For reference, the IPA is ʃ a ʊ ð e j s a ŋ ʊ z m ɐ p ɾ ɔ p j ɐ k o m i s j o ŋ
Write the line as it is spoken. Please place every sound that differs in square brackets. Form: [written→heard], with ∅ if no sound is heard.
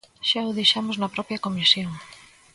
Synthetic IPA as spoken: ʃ a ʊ ð e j [s→ʃ] a [ŋ→m] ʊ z [m→n] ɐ p ɾ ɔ p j ɐ k o m i s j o ŋ